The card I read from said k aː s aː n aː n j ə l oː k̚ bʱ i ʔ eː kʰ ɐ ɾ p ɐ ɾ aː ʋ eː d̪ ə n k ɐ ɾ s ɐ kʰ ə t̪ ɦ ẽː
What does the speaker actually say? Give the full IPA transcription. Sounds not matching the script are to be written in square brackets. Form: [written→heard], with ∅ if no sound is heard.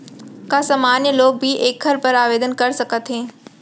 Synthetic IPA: k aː s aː [n→m] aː n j ə l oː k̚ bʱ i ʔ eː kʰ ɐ ɾ p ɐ ɾ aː ʋ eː d̪ ə n k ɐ ɾ s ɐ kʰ ə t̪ ɦ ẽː